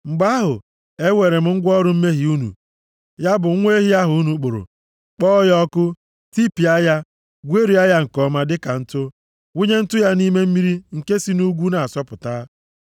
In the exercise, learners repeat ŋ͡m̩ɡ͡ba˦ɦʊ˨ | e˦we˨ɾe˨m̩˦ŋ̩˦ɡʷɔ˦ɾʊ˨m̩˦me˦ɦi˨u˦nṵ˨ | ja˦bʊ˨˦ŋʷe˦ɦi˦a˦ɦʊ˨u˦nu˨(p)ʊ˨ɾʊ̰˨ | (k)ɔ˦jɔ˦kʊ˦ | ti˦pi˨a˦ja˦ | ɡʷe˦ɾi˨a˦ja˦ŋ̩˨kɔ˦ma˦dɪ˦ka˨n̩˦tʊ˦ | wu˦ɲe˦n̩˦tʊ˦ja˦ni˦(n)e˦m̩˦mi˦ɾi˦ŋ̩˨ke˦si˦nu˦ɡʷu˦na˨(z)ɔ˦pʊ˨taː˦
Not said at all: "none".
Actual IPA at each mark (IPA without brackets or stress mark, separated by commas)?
k͡p, k͡p, m, s